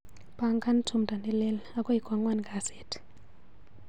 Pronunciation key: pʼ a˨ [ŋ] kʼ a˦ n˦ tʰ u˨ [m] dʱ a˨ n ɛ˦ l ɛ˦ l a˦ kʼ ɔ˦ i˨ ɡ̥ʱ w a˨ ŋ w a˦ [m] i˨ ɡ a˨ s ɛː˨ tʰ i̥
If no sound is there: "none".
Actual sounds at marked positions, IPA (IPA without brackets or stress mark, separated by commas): ŋ, m, n